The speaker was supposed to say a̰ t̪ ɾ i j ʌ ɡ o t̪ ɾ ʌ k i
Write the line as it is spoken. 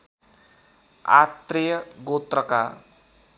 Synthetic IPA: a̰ t̪ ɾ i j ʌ ɡ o t̪ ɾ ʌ k a